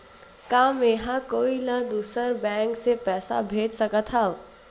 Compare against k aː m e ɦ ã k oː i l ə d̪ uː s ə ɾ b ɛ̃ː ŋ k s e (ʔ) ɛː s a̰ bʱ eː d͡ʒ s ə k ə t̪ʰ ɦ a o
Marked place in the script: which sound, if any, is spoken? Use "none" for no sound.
p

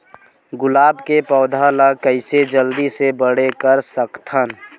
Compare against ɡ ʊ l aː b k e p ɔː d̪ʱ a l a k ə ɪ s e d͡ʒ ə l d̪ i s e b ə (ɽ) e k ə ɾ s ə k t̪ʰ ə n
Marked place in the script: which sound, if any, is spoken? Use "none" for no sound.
ɽ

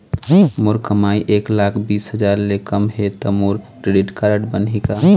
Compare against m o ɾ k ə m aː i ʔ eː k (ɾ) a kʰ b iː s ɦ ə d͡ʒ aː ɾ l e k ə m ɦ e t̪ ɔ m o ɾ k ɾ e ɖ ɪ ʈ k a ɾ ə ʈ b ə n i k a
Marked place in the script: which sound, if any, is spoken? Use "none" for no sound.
l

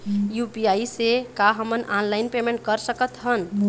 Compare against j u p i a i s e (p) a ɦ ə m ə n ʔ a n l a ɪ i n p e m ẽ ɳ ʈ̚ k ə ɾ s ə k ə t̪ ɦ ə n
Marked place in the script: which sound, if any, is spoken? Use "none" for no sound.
k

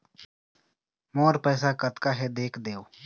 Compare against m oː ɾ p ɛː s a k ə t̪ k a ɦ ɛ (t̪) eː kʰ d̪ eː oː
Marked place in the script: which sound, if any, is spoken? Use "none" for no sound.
d̪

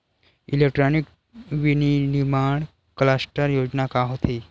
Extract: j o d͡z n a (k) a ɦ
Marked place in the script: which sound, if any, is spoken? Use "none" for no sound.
k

